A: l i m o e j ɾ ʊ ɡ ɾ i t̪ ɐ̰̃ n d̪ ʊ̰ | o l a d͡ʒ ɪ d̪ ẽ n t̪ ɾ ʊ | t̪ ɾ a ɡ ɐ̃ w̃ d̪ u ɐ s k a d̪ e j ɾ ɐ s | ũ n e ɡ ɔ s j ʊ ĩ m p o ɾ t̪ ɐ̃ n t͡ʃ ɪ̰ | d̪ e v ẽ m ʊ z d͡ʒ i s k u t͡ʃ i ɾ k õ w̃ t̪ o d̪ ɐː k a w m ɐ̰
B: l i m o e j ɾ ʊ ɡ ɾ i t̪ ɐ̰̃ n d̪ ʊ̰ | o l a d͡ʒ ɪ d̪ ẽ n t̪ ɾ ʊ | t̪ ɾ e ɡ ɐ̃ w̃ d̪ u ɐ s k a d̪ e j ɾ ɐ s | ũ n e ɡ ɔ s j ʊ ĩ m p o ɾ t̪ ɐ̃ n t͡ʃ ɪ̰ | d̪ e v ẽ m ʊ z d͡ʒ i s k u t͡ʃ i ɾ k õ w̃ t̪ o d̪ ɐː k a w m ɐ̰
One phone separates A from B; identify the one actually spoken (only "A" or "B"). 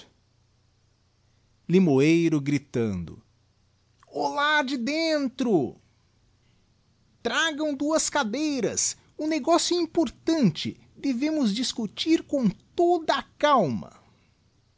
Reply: A